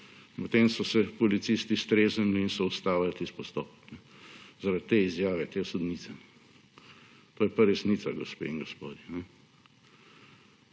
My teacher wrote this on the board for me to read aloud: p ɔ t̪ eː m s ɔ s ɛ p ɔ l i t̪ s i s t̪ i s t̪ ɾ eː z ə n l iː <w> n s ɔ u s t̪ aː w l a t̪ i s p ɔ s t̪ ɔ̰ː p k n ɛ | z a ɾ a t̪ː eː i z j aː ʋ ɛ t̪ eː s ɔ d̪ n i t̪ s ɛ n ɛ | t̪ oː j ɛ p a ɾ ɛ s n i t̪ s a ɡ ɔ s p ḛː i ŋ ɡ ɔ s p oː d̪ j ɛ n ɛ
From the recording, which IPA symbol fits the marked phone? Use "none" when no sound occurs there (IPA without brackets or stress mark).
none